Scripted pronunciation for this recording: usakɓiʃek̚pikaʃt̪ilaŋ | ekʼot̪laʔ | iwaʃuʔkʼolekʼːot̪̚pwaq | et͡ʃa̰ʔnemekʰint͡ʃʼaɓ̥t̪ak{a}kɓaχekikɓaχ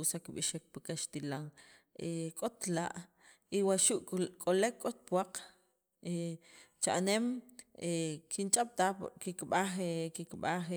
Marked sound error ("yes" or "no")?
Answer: yes